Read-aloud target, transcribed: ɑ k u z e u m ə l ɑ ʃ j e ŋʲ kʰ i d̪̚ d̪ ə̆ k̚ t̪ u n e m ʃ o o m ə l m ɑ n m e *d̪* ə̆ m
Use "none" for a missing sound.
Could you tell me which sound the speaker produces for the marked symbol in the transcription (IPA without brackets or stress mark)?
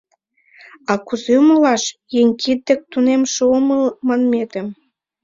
t̪